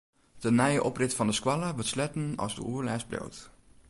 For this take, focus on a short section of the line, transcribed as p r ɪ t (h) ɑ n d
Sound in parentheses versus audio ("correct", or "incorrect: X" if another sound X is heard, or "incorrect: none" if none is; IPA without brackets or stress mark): incorrect: f